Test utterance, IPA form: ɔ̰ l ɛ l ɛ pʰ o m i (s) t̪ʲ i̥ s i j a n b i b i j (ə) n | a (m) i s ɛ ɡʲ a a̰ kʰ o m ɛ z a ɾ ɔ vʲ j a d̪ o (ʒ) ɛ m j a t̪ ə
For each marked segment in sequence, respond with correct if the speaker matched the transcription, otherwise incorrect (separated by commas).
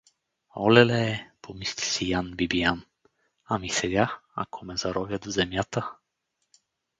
correct, incorrect, correct, incorrect